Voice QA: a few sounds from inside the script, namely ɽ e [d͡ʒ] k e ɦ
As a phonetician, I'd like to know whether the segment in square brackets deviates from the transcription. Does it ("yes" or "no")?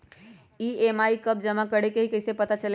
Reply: yes